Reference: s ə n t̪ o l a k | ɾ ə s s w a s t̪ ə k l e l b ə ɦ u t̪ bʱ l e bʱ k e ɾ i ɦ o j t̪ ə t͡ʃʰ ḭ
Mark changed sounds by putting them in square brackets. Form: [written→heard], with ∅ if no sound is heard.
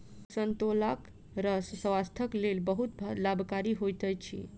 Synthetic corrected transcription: s ə n t̪ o l a k | ɾ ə s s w a s [t̪→t̪ʰ] ə k l e l b ə ɦ u t̪ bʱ l [e→a] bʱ k [e→a] ɾ i ɦ o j t̪ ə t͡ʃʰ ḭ

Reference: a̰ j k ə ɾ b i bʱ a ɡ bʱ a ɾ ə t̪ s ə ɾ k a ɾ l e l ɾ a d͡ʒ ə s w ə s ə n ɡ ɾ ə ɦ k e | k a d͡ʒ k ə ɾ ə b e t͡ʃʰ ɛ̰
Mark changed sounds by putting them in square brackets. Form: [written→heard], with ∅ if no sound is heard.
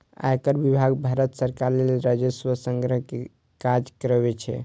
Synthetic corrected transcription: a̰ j k ə ɾ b i bʱ a ɡ bʱ a ɾ ə t̪ s ə ɾ k a ɾ l e l ɾ a d͡ʒ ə s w ə s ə [n→ŋ] ɡ ɾ ə ɦ k e | k a d͡ʒ k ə ɾ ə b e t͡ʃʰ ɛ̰

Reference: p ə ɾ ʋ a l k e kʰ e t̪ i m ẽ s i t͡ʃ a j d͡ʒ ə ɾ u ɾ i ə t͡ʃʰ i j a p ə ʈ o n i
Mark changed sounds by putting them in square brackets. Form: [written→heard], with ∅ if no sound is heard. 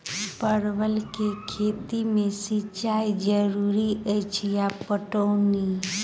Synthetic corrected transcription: p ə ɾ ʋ [a→ə] l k e kʰ e t̪ i m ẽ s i t͡ʃ a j d͡ʒ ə ɾ u ɾ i ə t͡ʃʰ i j a p ə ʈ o n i

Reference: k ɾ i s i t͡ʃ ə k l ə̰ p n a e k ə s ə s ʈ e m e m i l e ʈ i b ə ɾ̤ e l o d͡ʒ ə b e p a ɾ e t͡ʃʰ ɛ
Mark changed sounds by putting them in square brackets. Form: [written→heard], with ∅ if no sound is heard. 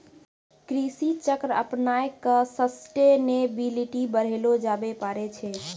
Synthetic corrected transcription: k ɾ i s i t͡ʃ ə k [l→ɾ] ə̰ p n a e k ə s ə s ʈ e [m→n] e [m→b] i l [e→i] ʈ i b ə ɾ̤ e l o d͡ʒ [ə→a] b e p a ɾ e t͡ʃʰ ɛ

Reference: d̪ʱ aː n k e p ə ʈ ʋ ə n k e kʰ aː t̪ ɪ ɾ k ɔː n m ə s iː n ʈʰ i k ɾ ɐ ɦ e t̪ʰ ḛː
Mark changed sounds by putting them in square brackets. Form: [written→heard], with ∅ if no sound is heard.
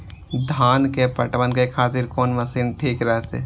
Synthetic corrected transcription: d̪ʱ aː n k e p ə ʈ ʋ ə n k e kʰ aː t̪ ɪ ɾ k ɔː n m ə s iː n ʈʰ [i→iː] k ɾ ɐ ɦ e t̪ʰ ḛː

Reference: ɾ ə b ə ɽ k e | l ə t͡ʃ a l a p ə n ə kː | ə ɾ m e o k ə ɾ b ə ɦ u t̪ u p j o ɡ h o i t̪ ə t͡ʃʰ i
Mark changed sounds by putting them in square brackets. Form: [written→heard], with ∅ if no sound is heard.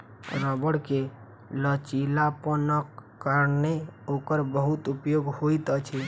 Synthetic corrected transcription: ɾ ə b ə ɽ k e | l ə t͡ʃ [a→i] l a p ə n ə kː | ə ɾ [m→n] e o k ə ɾ b ə ɦ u t̪ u p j o ɡ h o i t̪ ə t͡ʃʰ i

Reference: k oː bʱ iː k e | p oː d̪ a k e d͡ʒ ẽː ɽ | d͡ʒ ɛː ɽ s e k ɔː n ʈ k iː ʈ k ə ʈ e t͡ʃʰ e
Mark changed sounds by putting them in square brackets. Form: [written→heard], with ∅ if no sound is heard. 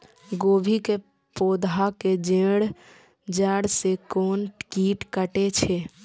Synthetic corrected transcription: [k→ɡ] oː bʱ [iː→i] k e | p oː d̪ a k e d͡ʒ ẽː ɽ | d͡ʒ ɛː ɽ s e k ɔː n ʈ k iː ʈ k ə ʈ e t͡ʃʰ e

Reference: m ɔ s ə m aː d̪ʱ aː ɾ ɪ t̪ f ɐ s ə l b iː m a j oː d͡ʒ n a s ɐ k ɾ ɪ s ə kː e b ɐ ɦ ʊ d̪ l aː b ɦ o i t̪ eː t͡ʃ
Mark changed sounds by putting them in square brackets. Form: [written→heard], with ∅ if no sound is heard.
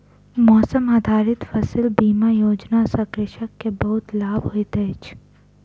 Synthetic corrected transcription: m [ɔ→ɔː] s ə m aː d̪ʱ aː ɾ ɪ t̪ f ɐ s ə l b iː m a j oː d͡ʒ n a s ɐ k ɾ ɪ [s→ʃ] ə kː e b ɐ ɦ ʊ [d̪→t̪] l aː b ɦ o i t̪ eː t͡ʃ

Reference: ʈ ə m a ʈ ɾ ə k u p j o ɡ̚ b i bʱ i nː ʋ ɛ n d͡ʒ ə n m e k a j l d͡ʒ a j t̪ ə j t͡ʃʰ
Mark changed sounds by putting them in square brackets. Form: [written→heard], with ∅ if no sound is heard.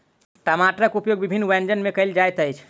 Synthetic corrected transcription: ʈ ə m a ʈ ɾ ə k u p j o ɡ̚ b i bʱ i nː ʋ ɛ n d͡ʒ ə n m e k [a→ə] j l d͡ʒ a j t̪ ə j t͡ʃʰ

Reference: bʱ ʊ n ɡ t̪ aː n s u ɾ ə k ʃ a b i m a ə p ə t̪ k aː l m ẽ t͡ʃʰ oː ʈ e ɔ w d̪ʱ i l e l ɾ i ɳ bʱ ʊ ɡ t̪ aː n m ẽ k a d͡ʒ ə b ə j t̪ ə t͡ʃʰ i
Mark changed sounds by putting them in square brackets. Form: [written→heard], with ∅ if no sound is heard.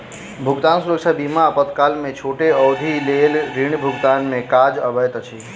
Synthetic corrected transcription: bʱ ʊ [n→∅] ɡ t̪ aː n s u ɾ ə k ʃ a b i m a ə p ə t̪ k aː l m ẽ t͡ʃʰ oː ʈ e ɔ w d̪ʱ i l e l ɾ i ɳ bʱ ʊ ɡ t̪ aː n m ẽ k a d͡ʒ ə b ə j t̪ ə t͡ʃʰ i

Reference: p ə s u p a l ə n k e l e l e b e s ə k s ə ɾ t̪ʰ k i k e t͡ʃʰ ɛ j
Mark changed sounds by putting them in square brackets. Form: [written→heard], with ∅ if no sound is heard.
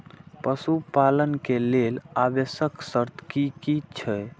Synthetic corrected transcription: p ə s u p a l ə n k e l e l [e→a] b e s ə k s ə ɾ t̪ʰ k i k [e→i] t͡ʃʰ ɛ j

